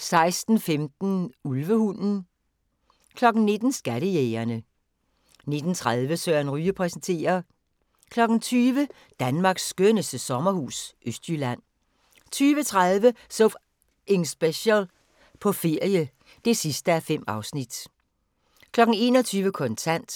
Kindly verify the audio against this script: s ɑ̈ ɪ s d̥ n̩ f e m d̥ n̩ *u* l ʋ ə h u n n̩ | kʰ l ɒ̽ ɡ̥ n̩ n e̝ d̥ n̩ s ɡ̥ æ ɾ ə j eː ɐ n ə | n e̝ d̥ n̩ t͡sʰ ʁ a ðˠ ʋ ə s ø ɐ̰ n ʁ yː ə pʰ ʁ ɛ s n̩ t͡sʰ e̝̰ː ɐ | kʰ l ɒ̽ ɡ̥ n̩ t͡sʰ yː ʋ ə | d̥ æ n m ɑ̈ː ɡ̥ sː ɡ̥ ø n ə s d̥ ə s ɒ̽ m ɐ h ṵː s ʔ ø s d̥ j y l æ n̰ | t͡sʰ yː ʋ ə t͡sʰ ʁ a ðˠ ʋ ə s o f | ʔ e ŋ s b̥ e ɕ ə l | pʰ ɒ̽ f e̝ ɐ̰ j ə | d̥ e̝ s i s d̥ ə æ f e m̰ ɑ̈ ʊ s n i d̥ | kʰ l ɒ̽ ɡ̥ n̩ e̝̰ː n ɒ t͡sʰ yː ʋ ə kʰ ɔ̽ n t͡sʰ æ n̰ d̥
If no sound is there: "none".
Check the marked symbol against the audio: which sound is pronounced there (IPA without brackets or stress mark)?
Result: u